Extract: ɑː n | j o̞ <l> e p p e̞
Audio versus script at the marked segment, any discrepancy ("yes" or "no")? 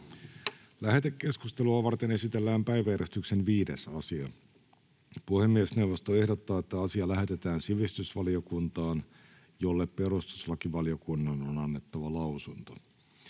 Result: yes